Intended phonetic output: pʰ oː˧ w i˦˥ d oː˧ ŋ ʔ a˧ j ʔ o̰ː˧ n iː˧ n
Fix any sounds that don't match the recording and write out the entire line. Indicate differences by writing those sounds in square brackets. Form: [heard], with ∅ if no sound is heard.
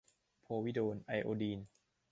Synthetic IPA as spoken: pʰ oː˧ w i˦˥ d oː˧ [n] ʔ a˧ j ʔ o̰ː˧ [d] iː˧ n